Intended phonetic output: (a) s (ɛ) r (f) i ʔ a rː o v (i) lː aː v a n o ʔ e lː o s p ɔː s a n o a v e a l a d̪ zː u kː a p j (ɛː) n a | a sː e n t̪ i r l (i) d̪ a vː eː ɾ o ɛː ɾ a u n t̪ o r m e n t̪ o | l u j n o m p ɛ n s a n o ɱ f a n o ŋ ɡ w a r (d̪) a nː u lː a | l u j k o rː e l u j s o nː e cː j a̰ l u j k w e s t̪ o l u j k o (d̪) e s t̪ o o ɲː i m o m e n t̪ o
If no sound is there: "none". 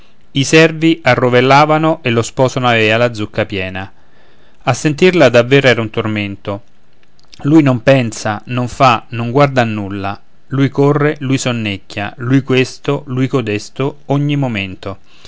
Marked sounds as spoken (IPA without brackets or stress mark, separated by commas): i, ɛ, v, e, ɛː, a, d̪, d̪